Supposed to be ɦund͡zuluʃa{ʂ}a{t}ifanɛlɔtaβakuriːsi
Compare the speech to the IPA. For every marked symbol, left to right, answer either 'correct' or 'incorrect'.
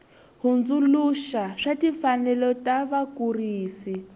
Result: correct, correct

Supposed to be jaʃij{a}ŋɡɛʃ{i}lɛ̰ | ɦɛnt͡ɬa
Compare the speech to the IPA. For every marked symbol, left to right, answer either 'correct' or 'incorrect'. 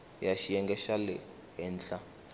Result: incorrect: ɛ, incorrect: a

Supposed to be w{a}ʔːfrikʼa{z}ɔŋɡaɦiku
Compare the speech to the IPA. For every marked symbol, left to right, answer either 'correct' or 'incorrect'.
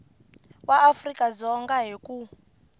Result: correct, correct

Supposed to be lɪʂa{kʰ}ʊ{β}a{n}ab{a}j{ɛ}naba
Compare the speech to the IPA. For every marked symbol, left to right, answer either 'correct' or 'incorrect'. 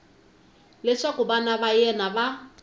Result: incorrect: k, incorrect: b, correct, correct, correct

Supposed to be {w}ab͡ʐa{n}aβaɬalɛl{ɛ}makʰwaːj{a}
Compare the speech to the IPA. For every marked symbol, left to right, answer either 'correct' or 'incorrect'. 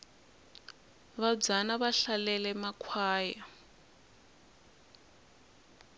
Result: incorrect: β, correct, correct, correct

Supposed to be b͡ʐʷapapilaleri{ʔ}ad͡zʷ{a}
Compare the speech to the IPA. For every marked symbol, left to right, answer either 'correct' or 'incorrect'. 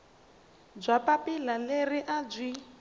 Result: correct, incorrect: i

